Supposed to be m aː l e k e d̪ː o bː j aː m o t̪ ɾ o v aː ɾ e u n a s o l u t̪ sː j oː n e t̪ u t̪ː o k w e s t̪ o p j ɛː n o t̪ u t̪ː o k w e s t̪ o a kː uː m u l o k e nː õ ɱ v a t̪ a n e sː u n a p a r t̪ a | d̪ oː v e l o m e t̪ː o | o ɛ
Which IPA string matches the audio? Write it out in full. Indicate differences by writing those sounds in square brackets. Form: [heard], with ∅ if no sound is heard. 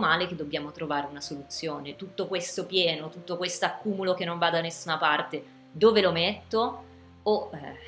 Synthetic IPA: m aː l e k e d̪ː o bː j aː m o t̪ ɾ o v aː ɾ e u n a s o l u t̪ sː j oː n e t̪ u t̪ː o k w e s t̪ o p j ɛː n o t̪ u t̪ː o k w e s t̪ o a kː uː m u l o k e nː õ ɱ v a [d̪] a n e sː u n a p a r t̪ [e] | d̪ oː v e l o m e t̪ː o | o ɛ

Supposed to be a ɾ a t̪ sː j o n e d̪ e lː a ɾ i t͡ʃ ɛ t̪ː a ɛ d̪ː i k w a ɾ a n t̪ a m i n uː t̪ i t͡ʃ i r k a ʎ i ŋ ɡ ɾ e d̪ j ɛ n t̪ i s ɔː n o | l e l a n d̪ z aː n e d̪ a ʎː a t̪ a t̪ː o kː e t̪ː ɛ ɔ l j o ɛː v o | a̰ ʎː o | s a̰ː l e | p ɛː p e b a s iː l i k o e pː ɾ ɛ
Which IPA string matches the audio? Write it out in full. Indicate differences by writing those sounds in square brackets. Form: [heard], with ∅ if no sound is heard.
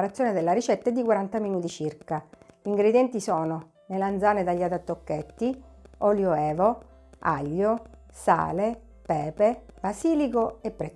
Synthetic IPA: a ɾ a t̪ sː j o n e d̪ e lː a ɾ i t͡ʃ ɛ t̪ː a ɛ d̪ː i k w a ɾ a n t̪ a m i n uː t̪ i t͡ʃ i r k a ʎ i ŋ ɡ ɾ e d̪ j ɛ n t̪ i s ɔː n o | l e l a n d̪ z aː n e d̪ a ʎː a t̪ a t̪ː o kː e t̪ː [i] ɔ l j o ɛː v o | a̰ ʎː o | s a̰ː l e | p ɛː p e b a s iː l i k o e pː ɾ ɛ

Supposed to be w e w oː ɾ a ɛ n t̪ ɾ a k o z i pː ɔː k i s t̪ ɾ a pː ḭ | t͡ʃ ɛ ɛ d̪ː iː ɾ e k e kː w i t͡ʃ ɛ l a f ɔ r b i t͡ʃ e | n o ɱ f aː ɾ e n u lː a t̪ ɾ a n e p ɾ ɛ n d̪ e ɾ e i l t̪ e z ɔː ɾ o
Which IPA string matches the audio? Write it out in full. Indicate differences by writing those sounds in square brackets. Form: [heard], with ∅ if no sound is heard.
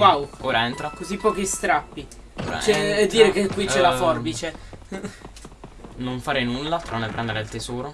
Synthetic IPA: w [a] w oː ɾ a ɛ n t̪ ɾ a k o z i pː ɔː k i s t̪ ɾ a pː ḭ | t͡ʃ ɛ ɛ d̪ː iː ɾ e k e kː w i t͡ʃ ɛ l a f ɔ r b i t͡ʃ e | n o ɱ f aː ɾ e n u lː a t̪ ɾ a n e p ɾ ɛ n d̪ e ɾ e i l t̪ e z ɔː ɾ o

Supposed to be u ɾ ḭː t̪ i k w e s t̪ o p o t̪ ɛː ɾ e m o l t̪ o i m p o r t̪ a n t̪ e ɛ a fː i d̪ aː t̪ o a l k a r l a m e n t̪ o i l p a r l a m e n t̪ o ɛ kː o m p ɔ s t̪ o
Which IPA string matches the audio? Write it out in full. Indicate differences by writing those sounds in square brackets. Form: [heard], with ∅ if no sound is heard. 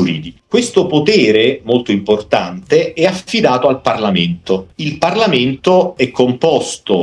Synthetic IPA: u ɾ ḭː [d̪] i k w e s t̪ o p o t̪ ɛː ɾ e m o l t̪ o i m p o r t̪ a n t̪ e ɛ a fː i d̪ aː t̪ o a l [p] a r l a m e n t̪ o i l p a r l a m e n t̪ o ɛ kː o m p ɔ s t̪ o

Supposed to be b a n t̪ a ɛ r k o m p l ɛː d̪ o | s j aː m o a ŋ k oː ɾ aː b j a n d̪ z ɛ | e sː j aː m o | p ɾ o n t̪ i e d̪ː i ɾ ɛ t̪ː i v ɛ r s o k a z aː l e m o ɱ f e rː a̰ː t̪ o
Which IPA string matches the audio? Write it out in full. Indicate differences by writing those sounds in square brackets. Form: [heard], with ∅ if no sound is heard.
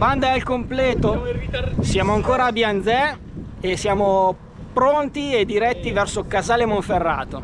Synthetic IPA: b a n [d̪] a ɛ [l] k o m p l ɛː [t̪] o | s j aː m o a ŋ k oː ɾ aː b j a n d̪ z ɛ | e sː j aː m o | p ɾ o n t̪ i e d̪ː i ɾ ɛ t̪ː i v ɛ r s o k a z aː l e m o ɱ f e rː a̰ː t̪ o

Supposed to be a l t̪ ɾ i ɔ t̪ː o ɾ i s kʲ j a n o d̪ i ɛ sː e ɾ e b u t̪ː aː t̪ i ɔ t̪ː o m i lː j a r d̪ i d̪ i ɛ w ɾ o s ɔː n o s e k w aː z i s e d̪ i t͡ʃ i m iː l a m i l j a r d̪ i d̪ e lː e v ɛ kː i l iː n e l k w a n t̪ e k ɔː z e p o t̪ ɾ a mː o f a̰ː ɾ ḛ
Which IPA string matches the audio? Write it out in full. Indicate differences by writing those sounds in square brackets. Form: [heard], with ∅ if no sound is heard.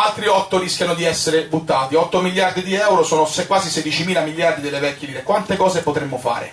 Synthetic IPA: a l t̪ ɾ i ɔ t̪ː o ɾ i s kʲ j a n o d̪ i ɛ sː e ɾ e b u t̪ː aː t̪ i ɔ t̪ː o m i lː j a r d̪ i d̪ i ɛ w ɾ o s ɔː n o s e k w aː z i s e d̪ i t͡ʃ i m iː l a m i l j a r d̪ i d̪ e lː e v ɛ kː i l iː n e [∅] k w a n t̪ e k ɔː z e p o t̪ ɾ [e] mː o f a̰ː ɾ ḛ

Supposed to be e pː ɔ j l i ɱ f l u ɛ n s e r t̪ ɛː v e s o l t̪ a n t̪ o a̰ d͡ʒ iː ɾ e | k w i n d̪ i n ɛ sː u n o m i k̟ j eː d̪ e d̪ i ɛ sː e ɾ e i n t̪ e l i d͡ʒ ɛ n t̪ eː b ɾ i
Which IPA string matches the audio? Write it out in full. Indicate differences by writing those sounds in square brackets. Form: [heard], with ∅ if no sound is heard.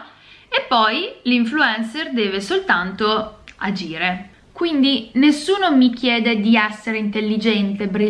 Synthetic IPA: e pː ɔ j l i ɱ f l u ɛ n s e r [d̪] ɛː v e s o l t̪ a n t̪ o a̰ d͡ʒ iː ɾ e | k w i n d̪ i n [e] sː [uː] n o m i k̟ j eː d̪ e d̪ i ɛ sː e ɾ e i n t̪ e [lː] i d͡ʒ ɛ n t̪ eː b ɾ i

